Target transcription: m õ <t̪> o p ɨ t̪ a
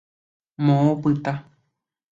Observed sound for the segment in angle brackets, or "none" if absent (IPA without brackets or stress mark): none